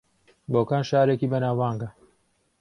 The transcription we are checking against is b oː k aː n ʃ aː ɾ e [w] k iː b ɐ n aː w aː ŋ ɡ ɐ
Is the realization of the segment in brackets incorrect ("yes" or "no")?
yes